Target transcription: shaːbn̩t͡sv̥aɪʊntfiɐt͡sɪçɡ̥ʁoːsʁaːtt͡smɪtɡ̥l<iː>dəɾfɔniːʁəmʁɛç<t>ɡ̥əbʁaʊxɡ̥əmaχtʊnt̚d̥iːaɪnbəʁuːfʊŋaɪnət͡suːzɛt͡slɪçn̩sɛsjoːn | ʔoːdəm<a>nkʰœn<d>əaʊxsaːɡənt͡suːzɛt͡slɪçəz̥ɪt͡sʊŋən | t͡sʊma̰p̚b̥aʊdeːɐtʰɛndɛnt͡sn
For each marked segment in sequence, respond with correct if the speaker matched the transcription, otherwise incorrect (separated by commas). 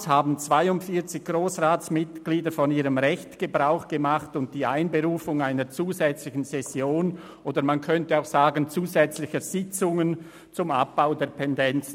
correct, correct, correct, incorrect